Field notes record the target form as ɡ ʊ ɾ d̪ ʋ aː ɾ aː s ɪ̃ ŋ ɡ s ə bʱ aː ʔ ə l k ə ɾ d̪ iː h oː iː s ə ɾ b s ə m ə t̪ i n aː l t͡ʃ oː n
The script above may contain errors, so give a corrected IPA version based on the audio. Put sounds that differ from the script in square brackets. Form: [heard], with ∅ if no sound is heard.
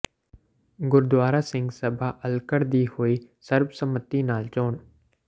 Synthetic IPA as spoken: ɡ ʊ ɾ d̪ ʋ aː ɾ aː s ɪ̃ ŋ ɡ s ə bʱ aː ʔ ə l k ə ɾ d̪ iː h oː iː s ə ɾ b s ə m ə t̪ i n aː l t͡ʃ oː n

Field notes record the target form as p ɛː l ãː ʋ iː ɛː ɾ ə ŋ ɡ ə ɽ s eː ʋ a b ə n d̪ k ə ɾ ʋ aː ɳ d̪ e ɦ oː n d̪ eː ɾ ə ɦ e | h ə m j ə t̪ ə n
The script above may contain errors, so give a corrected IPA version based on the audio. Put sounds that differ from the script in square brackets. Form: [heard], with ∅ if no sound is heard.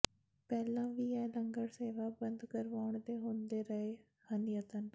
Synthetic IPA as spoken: p ɛː l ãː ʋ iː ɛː [l] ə ŋ ɡ ə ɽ s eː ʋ a b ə n d̪ k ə ɾ ʋ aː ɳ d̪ e ɦ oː n d̪ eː ɾ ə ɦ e | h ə [n] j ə t̪ ə n

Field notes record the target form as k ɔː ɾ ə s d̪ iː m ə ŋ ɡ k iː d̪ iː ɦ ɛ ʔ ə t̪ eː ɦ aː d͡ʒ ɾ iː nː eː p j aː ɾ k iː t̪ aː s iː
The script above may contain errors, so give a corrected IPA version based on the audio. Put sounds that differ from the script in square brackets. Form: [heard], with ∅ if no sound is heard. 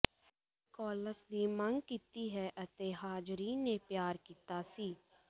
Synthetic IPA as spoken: k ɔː [l] ə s d̪ iː m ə ŋ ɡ k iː [t̪] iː ɦ ɛ ʔ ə t̪ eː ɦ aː d͡ʒ ɾ iː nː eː p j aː ɾ k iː t̪ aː s iː

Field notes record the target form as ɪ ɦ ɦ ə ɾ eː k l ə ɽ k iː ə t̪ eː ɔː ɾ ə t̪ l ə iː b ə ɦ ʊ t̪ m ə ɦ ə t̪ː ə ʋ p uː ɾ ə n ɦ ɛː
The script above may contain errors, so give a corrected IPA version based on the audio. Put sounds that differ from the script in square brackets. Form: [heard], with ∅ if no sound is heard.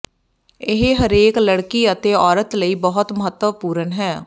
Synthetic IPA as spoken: ɪ ɦ ɦ ə ɾ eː k l ə ɽ k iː ə t̪ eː ɔː ɾ ə t̪ l ə iː b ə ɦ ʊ t̪ m ə ɦ ə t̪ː ə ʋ p uː ɾ ə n ɦ ɛː

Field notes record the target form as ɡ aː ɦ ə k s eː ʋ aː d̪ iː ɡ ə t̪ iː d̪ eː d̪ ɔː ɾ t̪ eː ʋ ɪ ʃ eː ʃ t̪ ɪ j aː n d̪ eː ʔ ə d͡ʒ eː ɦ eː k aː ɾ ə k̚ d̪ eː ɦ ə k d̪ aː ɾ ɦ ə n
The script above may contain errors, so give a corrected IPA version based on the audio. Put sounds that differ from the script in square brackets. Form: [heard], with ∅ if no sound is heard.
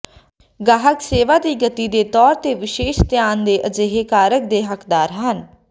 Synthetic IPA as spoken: ɡ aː ɦ ə k s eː ʋ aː d̪ iː ɡ ə t̪ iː d̪ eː [t̪] ɔː ɾ t̪ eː ʋ ɪ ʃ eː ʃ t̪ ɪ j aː n d̪ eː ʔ ə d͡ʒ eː ɦ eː k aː ɾ ə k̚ d̪ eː ɦ ə k d̪ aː ɾ ɦ ə n

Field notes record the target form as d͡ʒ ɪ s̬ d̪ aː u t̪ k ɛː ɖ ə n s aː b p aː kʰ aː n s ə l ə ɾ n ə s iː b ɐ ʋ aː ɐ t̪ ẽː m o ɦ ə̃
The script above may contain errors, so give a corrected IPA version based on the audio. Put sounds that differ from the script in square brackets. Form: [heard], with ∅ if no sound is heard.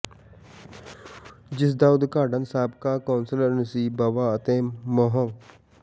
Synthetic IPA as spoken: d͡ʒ ɪ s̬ d̪ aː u [d̪] k [aː] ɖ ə n s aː b [k] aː [k] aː n s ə l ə ɾ n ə s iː b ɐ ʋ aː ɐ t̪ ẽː m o ɦ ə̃

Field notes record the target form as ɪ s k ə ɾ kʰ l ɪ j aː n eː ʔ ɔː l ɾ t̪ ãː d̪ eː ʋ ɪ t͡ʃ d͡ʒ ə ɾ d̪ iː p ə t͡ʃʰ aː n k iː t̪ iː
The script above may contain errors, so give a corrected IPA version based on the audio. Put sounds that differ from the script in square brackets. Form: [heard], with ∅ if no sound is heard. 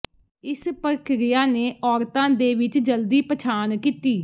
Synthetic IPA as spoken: ɪ s [p] ə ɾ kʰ [ɾ] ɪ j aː n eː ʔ ɔː [∅] ɾ t̪ ãː d̪ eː ʋ ɪ t͡ʃ d͡ʒ ə [l] d̪ iː p ə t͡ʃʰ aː n k iː t̪ iː

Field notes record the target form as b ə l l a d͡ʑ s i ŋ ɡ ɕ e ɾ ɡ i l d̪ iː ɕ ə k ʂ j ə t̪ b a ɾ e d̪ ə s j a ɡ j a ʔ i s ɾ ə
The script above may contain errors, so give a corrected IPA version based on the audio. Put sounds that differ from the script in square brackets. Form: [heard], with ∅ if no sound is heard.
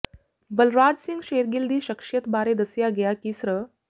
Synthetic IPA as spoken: b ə l [ɾ] a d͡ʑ s i ŋ ɡ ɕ e ɾ ɡ i l d̪ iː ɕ ə k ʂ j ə t̪ b a ɾ e d̪ ə s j a ɡ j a [k] i s ɾ ə

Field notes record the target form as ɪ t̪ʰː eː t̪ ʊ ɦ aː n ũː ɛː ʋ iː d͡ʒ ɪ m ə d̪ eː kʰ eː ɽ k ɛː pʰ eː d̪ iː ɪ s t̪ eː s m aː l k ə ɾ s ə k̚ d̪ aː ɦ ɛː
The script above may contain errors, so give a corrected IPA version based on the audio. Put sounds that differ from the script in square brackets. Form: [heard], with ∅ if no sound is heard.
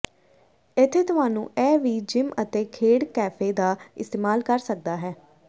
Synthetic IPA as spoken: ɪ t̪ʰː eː t̪ ʊ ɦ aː n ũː ɛː ʋ iː d͡ʒ ɪ m ə [t̪] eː kʰ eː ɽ k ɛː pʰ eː d̪ [aː] ɪ s t̪ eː [∅] m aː l k ə ɾ s ə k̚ d̪ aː ɦ ɛː

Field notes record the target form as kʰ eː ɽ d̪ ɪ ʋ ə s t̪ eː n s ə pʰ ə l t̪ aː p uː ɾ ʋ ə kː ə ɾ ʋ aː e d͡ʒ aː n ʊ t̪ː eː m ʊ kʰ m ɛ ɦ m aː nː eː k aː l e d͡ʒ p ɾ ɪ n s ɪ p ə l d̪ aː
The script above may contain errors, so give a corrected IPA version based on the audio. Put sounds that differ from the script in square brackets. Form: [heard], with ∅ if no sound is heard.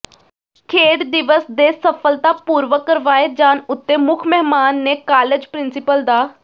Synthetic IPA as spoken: kʰ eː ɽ d̪ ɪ ʋ ə s [d̪] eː [∅] s ə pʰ ə l t̪ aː p uː ɾ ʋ ə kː ə ɾ ʋ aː e d͡ʒ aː n ʊ t̪ː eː m ʊ kʰ m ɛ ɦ m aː nː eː k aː l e d͡ʒ p ɾ ɪ n s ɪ p ə l d̪ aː

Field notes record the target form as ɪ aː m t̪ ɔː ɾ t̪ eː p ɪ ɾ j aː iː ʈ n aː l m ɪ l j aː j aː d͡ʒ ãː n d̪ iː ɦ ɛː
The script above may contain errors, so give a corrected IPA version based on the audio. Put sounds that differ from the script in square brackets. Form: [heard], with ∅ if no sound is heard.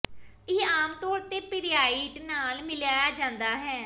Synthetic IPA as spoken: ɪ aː m t̪ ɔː ɾ t̪ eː p ɪ ɾ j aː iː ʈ n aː l m ɪ l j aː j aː d͡ʒ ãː n d̪ [aː] ɦ ɛː

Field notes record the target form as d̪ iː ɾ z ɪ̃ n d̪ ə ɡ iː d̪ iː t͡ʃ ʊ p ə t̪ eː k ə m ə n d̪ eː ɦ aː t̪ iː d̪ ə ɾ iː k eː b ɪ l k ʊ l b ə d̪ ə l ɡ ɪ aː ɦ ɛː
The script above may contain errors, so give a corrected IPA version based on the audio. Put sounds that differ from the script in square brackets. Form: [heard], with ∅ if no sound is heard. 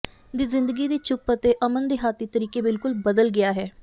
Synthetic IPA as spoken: d̪ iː [∅] z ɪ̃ n d̪ ə ɡ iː d̪ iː t͡ʃ ʊ p ə t̪ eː [ʔ] ə m ə n d̪ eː ɦ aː t̪ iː [t̪] ə ɾ iː k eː b ɪ l k ʊ l b ə d̪ ə l ɡ ɪ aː ɦ ɛː

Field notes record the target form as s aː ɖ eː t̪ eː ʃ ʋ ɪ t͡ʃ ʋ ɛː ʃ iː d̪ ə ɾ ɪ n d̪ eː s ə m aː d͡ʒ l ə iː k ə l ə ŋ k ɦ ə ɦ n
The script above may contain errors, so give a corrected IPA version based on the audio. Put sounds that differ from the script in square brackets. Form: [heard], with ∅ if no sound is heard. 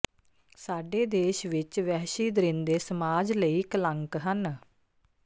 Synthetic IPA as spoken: s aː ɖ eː [d̪] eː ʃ ʋ ɪ t͡ʃ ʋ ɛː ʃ iː d̪ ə ɾ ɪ n d̪ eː s ə m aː d͡ʒ l ə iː k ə l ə ŋ k ɦ ə [∅] n

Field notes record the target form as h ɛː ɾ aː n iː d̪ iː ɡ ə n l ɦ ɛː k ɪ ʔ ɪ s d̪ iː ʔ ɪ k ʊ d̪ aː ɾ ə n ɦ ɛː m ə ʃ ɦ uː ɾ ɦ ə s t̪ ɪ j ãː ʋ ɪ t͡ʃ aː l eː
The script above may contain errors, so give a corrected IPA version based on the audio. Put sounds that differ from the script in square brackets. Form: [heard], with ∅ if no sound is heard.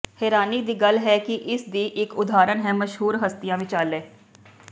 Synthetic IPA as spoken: h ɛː ɾ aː n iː d̪ iː ɡ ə [∅] l ɦ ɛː k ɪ ʔ ɪ s d̪ iː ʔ ɪ k ʊ d̪ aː ɾ ə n ɦ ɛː m ə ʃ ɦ uː ɾ ɦ ə s t̪ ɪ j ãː ʋ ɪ t͡ʃ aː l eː

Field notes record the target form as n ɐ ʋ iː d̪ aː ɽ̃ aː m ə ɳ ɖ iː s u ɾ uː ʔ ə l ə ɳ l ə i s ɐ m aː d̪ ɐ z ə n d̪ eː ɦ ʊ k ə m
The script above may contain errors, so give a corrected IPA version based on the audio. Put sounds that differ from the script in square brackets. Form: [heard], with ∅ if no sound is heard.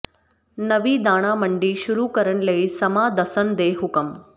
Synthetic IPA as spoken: n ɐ ʋ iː d̪ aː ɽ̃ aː m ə ɳ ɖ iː [ʃ] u ɾ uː [k] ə [ɾ] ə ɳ l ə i s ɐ m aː d̪ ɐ [s] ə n d̪ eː ɦ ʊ k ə m

